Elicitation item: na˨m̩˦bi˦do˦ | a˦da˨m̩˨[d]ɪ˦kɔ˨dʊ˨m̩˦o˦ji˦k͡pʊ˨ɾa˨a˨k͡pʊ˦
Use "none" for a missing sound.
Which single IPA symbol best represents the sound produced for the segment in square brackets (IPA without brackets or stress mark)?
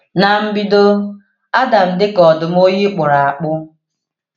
d